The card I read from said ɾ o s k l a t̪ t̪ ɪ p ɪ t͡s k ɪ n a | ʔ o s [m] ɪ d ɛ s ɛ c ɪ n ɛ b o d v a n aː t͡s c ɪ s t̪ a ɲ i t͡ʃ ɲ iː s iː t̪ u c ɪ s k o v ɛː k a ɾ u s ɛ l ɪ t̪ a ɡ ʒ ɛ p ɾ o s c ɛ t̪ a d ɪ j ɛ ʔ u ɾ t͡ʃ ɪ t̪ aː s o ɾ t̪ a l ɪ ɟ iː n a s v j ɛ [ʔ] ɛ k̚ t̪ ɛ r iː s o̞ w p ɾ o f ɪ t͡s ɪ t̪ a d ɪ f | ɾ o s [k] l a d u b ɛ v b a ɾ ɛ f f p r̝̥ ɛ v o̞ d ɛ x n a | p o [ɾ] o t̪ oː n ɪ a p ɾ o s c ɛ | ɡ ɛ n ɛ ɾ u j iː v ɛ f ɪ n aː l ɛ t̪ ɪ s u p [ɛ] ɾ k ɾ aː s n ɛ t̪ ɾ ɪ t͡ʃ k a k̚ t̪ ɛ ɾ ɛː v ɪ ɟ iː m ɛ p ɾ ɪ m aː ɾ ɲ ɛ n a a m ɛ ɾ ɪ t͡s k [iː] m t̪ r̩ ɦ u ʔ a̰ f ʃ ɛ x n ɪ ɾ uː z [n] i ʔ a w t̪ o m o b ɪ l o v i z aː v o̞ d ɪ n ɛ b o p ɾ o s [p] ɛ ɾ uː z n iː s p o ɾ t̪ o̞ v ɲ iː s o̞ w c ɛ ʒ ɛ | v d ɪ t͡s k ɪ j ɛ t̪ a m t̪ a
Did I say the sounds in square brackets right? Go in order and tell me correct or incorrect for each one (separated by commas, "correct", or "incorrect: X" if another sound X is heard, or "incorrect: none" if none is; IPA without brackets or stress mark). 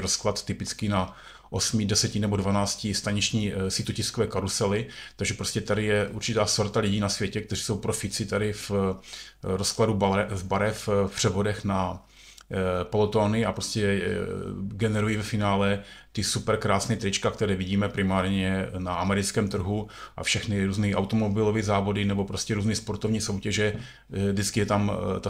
correct, incorrect: c, correct, incorrect: l, correct, incorrect: ɛː, correct, incorrect: c